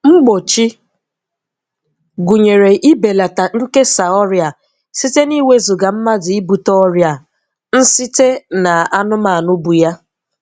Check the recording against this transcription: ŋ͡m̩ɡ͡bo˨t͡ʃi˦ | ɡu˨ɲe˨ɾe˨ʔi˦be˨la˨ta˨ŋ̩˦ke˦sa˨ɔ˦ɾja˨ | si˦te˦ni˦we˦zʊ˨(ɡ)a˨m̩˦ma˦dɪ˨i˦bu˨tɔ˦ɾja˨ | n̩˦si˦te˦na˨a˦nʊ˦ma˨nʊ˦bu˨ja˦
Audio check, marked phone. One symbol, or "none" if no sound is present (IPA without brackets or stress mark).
ɡ